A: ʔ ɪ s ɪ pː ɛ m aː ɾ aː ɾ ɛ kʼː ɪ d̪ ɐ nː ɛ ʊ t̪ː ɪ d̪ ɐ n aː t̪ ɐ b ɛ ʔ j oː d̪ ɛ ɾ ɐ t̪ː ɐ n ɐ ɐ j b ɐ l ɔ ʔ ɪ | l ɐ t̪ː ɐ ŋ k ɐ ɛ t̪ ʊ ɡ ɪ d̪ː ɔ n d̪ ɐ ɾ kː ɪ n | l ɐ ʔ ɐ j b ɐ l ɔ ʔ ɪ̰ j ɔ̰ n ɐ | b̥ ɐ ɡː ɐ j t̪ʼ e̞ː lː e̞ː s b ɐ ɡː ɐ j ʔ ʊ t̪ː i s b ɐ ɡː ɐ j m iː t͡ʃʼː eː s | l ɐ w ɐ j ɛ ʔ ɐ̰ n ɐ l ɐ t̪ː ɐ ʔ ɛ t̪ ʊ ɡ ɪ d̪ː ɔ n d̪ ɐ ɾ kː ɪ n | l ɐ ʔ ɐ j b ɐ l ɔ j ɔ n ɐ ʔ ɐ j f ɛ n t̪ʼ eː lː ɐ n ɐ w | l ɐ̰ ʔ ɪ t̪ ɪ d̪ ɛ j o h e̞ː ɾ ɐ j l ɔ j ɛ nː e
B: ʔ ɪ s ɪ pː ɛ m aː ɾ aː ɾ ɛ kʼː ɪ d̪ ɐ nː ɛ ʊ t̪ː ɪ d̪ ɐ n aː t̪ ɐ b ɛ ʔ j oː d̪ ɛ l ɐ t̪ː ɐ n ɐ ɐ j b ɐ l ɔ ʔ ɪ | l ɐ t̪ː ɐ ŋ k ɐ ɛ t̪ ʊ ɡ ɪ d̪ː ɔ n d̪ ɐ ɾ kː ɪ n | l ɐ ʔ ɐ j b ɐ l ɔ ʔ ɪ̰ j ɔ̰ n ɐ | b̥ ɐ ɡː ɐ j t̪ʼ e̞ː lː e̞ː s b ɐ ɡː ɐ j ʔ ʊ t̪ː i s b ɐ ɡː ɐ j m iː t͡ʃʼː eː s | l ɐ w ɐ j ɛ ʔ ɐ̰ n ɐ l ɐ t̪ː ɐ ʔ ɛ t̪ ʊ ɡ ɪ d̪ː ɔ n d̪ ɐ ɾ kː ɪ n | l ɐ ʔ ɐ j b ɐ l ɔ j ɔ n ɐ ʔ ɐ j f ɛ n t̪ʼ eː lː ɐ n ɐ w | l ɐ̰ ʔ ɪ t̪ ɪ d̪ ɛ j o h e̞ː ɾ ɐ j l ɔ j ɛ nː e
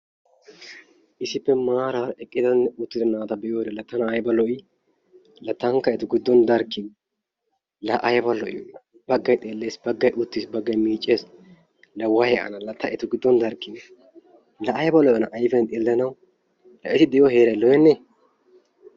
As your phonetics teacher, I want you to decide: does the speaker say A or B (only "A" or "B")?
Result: B